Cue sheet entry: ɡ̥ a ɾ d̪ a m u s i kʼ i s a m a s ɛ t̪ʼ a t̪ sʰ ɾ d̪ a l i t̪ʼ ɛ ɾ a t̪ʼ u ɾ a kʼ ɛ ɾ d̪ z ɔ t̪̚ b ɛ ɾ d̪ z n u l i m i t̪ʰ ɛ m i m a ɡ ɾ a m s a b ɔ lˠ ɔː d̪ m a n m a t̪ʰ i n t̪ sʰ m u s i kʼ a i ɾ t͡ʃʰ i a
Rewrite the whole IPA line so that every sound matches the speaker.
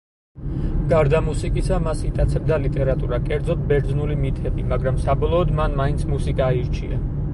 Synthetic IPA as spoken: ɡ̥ a ɾ d̪ a m u s i kʼ i s a m a s i t̪ʼ a t̪ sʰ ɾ d̪ a l i t̪ʼ ɛ ɾ a t̪ʼ u ɾ a kʼ ɛ ɾ d̪ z ɔ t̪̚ b ɛ ɾ d̪ z n u l i m i t̪ʰ ɛ b i m a ɡ ɾ a m s a b ɔ lˠ ɔː d̪ m a n m a i n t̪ sʰ m u s i kʼ a i ɾ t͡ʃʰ i a